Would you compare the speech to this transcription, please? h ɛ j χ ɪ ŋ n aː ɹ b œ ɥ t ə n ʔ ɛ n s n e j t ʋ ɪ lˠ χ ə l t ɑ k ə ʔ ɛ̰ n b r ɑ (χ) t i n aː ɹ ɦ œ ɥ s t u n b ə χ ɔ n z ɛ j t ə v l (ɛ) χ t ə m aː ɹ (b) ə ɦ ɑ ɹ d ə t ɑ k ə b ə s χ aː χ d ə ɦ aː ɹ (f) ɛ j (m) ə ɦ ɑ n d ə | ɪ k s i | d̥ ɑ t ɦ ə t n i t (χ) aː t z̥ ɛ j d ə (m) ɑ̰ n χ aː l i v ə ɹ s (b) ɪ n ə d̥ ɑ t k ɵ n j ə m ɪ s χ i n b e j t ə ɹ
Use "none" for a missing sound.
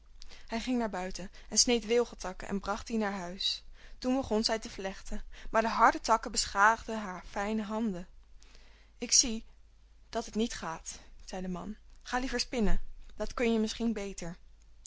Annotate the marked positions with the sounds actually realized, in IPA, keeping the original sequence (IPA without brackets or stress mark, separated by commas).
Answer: χ, ɛ, d, f, n, χ, m, p